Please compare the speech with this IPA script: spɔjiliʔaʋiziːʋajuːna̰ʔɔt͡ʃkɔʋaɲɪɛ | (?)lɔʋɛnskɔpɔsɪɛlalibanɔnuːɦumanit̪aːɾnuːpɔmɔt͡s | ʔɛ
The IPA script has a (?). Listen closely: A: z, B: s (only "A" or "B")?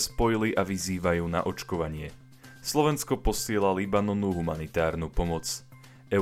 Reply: B